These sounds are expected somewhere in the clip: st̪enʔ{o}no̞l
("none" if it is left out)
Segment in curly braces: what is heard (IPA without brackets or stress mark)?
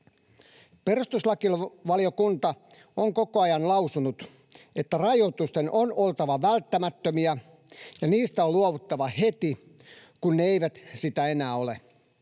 o